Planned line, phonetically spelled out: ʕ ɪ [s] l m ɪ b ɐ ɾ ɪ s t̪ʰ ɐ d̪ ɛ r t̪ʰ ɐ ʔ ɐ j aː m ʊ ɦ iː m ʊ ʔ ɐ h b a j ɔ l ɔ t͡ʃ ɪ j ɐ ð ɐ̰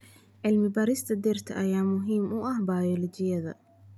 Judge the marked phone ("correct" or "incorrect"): incorrect